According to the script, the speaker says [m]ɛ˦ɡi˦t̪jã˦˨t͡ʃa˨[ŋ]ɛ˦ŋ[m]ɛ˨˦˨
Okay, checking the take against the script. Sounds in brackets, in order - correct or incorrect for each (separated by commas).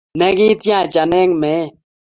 incorrect, incorrect, correct